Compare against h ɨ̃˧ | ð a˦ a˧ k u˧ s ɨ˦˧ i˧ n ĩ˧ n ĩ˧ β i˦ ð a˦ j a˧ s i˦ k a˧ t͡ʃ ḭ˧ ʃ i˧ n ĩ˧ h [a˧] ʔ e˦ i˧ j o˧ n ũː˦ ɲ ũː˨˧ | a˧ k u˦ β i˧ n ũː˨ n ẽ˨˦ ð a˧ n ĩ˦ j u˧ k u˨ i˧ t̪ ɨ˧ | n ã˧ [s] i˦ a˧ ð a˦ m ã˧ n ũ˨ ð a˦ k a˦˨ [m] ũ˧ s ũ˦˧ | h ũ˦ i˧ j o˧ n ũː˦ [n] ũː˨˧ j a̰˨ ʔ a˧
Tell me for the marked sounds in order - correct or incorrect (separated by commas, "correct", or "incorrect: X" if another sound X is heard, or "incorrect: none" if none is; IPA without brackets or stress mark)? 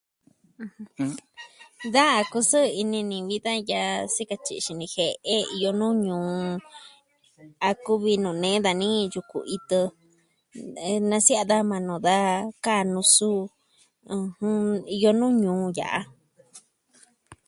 incorrect: e˧, correct, incorrect: n, incorrect: ɲ